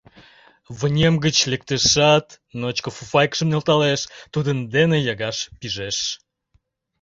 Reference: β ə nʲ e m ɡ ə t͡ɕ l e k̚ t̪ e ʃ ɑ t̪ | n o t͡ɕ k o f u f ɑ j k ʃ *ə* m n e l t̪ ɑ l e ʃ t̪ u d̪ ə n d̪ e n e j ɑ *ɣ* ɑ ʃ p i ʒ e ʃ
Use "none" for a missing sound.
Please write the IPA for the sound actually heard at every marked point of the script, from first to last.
ə, ɣ

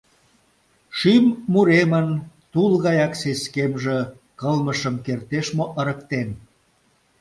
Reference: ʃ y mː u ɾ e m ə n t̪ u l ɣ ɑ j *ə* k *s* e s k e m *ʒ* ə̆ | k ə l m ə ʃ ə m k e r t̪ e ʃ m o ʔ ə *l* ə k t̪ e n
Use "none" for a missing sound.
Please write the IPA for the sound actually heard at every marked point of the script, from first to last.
ɑ, s, ʒ, ɾ

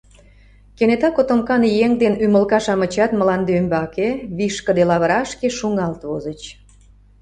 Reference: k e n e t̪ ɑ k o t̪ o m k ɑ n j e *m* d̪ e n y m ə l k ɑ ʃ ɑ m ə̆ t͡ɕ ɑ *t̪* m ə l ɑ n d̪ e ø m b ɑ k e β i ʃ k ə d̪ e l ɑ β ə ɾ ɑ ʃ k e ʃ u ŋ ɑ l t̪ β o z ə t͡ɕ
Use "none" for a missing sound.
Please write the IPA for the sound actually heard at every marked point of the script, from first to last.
ŋ, t̪

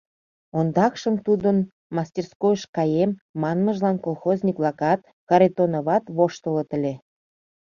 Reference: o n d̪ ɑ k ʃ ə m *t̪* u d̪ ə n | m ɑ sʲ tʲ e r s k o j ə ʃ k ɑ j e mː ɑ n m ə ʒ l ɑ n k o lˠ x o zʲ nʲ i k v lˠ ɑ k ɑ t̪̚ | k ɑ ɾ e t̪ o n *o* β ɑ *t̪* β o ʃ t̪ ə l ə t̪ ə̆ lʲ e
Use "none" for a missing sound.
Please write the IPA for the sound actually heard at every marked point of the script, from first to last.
t̪, o, t̪

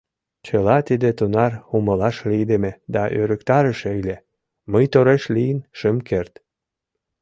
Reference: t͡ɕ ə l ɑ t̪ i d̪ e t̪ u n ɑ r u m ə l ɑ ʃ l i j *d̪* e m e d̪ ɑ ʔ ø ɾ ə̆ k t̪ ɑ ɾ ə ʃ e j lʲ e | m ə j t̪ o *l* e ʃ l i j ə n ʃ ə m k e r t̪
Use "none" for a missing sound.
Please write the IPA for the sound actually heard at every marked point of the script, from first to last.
d̪, ɾ

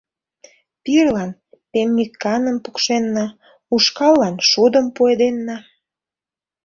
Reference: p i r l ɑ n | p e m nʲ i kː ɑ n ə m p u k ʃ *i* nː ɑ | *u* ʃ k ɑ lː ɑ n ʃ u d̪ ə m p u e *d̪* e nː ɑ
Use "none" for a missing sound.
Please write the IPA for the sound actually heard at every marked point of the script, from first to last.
e, u, d̪

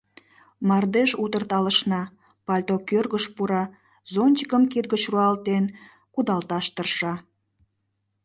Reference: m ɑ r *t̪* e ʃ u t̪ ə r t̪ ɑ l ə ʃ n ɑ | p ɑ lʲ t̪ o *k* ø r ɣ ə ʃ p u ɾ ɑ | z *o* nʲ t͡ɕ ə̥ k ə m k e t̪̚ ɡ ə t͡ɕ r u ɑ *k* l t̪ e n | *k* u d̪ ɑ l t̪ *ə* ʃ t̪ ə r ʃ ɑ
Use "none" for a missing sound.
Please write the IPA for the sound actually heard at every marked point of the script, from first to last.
d̪, k, o, none, k, ɑ

